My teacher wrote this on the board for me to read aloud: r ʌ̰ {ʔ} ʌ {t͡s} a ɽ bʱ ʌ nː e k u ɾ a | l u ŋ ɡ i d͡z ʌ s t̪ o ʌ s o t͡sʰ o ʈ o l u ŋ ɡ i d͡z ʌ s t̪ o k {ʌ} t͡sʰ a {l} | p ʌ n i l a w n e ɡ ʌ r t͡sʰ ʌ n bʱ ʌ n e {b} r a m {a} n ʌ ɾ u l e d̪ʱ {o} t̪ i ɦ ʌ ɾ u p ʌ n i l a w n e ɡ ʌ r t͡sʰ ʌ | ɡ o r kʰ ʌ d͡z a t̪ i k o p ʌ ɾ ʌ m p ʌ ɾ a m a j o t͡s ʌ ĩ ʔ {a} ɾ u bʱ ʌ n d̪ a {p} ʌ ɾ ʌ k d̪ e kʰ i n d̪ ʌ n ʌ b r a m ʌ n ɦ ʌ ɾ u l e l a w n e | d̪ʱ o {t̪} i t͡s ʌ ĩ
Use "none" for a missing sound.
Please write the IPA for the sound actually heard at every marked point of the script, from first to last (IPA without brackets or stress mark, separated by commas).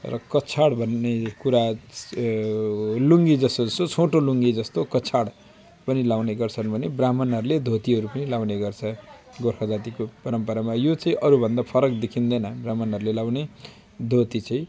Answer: k, t͡sʰ, ʌ, ɽ, b, ʌ, o, ʌ, pʰ, t̪